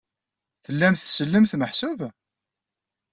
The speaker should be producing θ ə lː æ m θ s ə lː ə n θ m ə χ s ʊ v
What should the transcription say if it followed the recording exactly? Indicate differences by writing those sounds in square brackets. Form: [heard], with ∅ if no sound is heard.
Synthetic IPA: θ ə lː æ m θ s ə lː ə [m] θ m ə [ħ] s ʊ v